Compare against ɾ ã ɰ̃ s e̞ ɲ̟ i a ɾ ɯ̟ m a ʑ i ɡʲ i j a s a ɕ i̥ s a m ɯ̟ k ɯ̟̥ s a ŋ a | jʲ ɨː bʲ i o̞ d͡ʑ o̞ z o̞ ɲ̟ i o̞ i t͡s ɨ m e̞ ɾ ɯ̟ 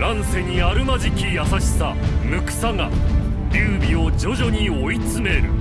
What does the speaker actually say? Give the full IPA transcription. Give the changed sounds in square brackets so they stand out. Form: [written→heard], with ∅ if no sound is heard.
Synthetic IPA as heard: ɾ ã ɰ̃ s e̞ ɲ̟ i a ɾ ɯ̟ m a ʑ i [ɡʲ→kʲ] i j a s a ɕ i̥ s a m ɯ̟ k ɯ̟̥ s a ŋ a | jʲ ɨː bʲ i o̞ d͡ʑ o̞ [z→ʑ] o̞ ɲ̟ i o̞ i t͡s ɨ m e̞ ɾ ɯ̟

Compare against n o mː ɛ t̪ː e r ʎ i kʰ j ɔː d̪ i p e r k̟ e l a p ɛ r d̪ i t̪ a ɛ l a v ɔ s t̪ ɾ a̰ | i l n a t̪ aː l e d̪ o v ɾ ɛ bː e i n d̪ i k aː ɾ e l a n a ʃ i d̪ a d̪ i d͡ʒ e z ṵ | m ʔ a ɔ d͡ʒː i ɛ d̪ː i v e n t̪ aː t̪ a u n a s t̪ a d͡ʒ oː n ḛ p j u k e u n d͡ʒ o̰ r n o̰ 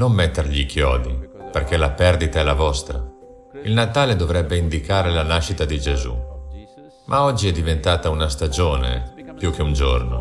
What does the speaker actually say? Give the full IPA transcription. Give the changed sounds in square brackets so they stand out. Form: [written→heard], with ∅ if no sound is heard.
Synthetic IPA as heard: n o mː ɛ t̪ː e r ʎ i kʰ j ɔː d̪ i p e r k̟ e l a p ɛ r d̪ i t̪ a ɛ l a v ɔ s t̪ ɾ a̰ | i l n a t̪ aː l e d̪ o v ɾ ɛ bː e i n d̪ i k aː ɾ e l a n a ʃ i [d̪→t̪] a d̪ i d͡ʒ e z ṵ | m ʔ a ɔ d͡ʒː i ɛ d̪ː i v e n t̪ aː t̪ a u n a s t̪ a d͡ʒ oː n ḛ p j u k e u n d͡ʒ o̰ r n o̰

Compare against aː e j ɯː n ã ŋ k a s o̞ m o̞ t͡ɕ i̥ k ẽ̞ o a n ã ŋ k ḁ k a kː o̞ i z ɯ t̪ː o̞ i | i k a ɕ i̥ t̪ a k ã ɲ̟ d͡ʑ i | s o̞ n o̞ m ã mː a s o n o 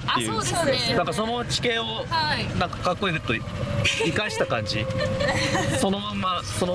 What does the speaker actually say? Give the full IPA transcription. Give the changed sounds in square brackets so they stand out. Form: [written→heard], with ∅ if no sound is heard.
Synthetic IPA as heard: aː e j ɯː n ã ŋ k a s o̞ [m→n] o̞ t͡ɕ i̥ k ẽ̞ o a n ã ŋ k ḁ k a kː o̞ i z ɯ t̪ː o̞ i | i k a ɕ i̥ t̪ a k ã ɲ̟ d͡ʑ i | s o̞ n o̞ m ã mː a s o n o

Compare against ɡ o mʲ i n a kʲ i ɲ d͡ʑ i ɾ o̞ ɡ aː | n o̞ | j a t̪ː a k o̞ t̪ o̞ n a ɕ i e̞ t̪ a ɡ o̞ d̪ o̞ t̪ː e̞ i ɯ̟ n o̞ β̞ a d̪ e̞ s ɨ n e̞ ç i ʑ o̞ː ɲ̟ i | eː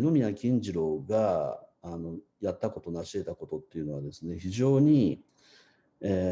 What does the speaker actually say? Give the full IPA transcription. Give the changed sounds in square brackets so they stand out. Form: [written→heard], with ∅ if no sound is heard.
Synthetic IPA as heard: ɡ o mʲ i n a kʲ [i→ĩ] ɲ d͡ʑ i ɾ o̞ ɡ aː | n o̞ | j a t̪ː a k o̞ t̪ o̞ n a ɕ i e̞ t̪ a [ɡ→k] o̞ [d̪→t̪] o̞ t̪ː e̞ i ɯ̟ n o̞ β̞ a d̪ e̞ s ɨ n e̞ ç i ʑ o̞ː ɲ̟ i | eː

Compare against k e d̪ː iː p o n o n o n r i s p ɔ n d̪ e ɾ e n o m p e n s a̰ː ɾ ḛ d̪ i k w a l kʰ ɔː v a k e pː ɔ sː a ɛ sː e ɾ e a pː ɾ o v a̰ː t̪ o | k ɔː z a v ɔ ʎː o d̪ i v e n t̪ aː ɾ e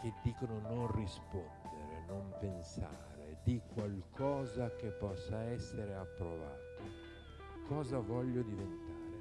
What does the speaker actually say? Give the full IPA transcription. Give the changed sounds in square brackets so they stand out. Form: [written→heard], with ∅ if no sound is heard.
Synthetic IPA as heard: k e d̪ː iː [p→k] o n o n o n r i s p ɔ n d̪ e ɾ e n o m p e n s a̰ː ɾ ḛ d̪ i k w a l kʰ ɔː [v→z] a k e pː ɔ sː a ɛ sː e ɾ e a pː ɾ o v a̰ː t̪ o | k ɔː z a v ɔ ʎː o d̪ i v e n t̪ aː ɾ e

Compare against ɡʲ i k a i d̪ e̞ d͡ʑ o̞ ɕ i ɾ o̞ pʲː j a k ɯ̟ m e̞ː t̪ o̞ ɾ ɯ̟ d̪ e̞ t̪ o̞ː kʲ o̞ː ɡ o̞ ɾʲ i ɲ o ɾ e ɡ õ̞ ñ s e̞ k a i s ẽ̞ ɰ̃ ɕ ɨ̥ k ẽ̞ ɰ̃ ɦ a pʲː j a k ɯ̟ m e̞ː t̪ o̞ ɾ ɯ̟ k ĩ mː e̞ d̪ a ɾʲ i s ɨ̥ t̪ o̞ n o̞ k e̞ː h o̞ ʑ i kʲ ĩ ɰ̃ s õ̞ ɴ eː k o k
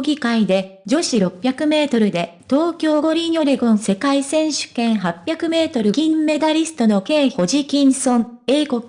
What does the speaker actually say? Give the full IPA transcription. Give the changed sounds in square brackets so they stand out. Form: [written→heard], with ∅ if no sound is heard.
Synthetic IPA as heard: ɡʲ i k a i d̪ e̞ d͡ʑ o̞ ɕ i ɾ o̞ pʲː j a k ɯ̟ m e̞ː t̪ o̞ ɾ ɯ̟ d̪ e̞ t̪ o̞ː kʲ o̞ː ɡ o̞ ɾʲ i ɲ o ɾ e ɡ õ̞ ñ s e̞ k a i s ẽ̞ ɰ̃ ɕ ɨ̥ k ẽ̞ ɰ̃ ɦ a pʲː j a k ɯ̟ m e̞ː t̪ o̞ ɾ ɯ̟ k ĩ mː e̞ d̪ a ɾʲ i s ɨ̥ t̪ o̞ n o̞ k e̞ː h o̞ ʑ i kʲ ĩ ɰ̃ s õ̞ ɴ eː k o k

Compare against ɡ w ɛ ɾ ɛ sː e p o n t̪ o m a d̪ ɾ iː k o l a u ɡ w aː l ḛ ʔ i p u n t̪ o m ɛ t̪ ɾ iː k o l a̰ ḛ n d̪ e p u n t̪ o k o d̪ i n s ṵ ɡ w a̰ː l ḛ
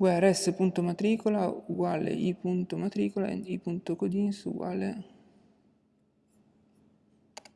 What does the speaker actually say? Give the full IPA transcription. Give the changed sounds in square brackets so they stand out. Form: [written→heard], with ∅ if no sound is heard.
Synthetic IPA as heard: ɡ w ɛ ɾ ɛ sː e p [o→u] n t̪ o m a [d̪→t̪] ɾ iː k o l a u ɡ w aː l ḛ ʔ i p u n t̪ o m [ɛ→a] t̪ ɾ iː k o l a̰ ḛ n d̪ [e→i] p u n t̪ o k o d̪ i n s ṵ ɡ w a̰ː l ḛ

